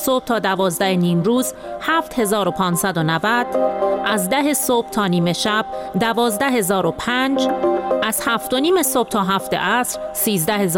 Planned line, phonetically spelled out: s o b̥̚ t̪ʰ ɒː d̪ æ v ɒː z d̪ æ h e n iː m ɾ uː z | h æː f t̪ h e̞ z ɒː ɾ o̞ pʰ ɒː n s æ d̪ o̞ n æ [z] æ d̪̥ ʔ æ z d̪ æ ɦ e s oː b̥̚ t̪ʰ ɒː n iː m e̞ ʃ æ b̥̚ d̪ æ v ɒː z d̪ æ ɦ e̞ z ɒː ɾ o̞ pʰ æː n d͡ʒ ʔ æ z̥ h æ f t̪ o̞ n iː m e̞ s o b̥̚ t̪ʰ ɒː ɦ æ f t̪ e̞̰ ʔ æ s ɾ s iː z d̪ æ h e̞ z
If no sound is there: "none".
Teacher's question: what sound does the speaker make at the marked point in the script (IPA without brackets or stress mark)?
v